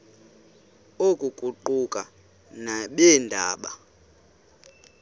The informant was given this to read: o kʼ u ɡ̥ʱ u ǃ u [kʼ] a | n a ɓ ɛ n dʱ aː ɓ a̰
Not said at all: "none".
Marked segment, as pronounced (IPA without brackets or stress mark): kʼ